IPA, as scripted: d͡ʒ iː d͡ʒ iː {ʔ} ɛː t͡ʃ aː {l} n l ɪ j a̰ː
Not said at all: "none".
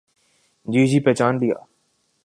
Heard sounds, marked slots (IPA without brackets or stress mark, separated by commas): p, none